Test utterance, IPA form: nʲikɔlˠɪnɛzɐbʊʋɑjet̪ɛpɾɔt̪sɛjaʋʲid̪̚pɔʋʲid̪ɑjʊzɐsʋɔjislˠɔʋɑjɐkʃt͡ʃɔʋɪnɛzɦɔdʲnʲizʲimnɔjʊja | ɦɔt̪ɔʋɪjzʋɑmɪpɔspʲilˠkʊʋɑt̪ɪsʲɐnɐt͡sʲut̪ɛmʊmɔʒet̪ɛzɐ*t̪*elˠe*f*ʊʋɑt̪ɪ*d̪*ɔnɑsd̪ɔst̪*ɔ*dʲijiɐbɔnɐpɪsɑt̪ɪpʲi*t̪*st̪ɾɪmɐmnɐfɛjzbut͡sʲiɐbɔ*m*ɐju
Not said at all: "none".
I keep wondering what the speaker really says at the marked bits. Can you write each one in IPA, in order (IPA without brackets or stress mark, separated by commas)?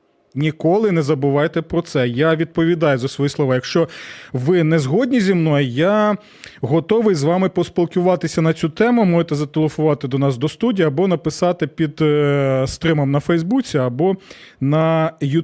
t̪, f, d̪, u, d̪, n